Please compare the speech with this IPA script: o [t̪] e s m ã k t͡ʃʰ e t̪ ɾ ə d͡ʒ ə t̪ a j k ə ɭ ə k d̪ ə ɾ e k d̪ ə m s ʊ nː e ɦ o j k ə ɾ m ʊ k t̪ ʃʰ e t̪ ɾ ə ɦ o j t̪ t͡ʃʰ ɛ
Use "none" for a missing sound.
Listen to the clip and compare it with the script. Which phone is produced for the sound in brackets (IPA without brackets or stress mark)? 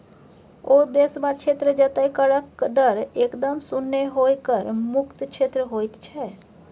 d̪